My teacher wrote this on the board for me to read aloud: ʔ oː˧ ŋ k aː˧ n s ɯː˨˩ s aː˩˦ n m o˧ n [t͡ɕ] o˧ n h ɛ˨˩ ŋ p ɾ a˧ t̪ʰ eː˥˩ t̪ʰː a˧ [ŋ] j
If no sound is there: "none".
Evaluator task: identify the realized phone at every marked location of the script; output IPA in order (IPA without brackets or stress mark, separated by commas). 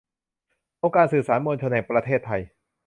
t͡ɕʰ, none